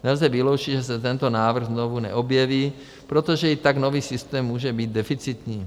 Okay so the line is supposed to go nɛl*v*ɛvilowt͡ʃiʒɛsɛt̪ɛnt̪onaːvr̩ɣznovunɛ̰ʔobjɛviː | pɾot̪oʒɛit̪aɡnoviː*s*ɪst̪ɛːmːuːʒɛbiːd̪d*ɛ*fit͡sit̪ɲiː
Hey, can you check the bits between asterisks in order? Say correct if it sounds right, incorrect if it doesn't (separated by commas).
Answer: incorrect, correct, correct